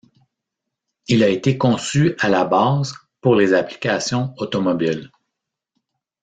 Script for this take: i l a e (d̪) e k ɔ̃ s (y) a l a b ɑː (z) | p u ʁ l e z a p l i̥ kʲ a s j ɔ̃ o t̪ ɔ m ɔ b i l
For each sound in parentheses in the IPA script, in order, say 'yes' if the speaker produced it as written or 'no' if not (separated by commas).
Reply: no, yes, yes